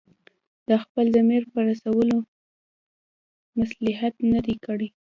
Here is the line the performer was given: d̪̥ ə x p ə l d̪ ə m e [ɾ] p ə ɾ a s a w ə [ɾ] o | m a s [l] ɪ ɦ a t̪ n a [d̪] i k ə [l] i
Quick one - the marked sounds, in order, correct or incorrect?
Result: correct, incorrect: l, correct, correct, incorrect: ɽ

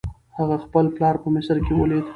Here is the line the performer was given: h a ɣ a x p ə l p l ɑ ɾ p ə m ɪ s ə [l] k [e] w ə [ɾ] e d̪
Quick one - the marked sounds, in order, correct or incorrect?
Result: incorrect: ɾ, correct, incorrect: l

